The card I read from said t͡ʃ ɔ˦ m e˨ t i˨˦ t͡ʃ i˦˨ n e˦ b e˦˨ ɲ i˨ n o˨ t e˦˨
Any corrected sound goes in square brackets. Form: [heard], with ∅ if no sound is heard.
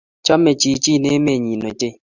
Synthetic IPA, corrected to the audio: t͡ʃ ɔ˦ m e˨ [t͡ʃ] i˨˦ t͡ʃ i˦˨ n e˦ [m] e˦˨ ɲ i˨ n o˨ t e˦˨